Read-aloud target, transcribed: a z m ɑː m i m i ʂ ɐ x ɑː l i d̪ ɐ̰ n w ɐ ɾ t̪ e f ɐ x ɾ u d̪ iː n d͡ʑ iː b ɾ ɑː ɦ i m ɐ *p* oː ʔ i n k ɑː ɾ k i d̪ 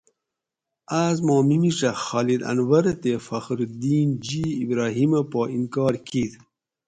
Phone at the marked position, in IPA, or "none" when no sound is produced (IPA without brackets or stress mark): p